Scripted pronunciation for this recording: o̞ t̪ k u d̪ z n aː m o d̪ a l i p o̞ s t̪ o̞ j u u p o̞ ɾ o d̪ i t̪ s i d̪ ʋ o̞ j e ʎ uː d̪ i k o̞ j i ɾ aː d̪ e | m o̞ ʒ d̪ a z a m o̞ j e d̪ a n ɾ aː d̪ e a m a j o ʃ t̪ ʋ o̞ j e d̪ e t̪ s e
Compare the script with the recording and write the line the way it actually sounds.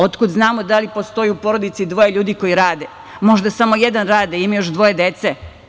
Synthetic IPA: o̞ t̪ k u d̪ z n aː m o d̪ a l i p o̞ s t̪ o̞ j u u p o̞ ɾ o d̪ i t̪ s i d̪ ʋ o̞ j e ʎ uː d̪ i k o̞ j i ɾ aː d̪ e | m o̞ ʒ d̪ a s a m o̞ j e d̪ a n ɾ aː d̪ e i m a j o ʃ d̪ ʋ o̞ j e d̪ e t̪ s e

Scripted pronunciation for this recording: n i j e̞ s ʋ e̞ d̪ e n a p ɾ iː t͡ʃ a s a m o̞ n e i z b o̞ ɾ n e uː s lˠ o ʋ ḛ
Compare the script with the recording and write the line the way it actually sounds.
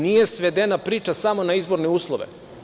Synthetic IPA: n i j e̞ s ʋ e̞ d̪ e n a p ɾ iː t͡ʃ a s a m o̞ n a i z b o̞ ɾ n e uː s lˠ o ʋ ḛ

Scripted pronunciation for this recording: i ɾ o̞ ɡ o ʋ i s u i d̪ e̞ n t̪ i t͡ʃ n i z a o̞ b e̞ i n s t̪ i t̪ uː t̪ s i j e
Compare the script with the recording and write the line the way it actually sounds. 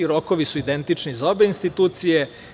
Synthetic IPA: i ɾ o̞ k o ʋ i s u i d̪ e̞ n t̪ i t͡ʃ n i z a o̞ b e̞ i n s t̪ i t̪ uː t̪ s i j e

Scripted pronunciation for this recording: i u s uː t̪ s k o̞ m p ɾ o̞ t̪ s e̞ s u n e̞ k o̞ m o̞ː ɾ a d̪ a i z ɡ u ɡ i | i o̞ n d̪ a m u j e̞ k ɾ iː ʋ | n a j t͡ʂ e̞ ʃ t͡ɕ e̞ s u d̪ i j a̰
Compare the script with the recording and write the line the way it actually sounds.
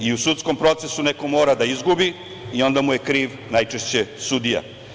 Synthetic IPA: i u s u t̪ s k o̞ m p ɾ o̞ t̪ s e̞ s u n e̞ k o̞ m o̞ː ɾ a d̪ a i z ɡ u b i | i o̞ n d̪ a m u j e̞ k ɾ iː ʋ | n a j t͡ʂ e̞ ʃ t͡ɕ e̞ s u d̪ i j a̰

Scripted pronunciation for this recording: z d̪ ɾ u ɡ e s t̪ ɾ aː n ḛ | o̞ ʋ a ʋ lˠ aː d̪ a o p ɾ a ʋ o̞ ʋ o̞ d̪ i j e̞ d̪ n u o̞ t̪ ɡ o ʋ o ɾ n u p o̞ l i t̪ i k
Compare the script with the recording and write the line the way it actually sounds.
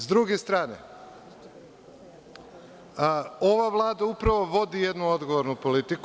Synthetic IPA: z d̪ ɾ u ɡ e s t̪ ɾ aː n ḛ | o̞ ʋ a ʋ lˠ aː d̪ a u p ɾ a ʋ o̞ ʋ o̞ d̪ i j e̞ d̪ n u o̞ d̪ ɡ o ʋ o ɾ n u p o̞ l i t̪ i k

